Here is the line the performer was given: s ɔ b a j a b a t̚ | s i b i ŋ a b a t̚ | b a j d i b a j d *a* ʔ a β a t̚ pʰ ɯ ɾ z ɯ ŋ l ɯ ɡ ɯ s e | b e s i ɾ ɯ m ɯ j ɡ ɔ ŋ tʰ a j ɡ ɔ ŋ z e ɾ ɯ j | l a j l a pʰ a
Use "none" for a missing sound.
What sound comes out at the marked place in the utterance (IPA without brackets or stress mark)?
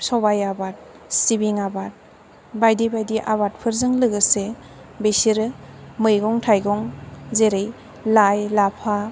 i